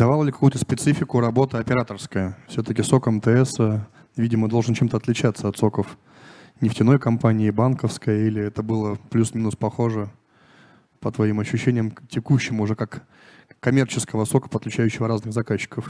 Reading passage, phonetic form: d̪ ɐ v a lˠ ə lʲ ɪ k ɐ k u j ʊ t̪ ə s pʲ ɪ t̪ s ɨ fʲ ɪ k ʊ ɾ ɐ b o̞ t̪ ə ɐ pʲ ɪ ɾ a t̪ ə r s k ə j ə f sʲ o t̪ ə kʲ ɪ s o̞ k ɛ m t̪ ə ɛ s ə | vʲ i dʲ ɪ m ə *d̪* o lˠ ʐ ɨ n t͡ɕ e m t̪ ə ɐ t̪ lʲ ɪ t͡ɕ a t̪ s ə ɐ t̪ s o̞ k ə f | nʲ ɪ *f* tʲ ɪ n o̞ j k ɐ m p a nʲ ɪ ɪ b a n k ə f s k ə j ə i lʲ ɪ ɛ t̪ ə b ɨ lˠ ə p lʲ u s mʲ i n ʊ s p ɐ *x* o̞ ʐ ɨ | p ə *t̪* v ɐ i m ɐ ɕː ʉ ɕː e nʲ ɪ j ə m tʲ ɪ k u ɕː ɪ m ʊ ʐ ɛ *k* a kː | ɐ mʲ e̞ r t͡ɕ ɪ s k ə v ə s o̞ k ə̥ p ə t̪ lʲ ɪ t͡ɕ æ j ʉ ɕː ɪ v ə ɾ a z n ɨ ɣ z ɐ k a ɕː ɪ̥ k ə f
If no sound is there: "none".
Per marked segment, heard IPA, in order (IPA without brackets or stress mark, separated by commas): d̪, f, x, t̪, k